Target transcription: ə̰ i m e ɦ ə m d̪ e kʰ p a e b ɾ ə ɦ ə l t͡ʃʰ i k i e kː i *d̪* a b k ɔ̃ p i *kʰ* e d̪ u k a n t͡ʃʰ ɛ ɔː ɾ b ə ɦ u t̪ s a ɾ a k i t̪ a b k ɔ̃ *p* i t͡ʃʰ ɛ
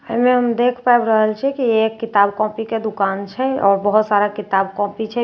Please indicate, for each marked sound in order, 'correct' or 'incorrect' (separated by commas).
incorrect, incorrect, correct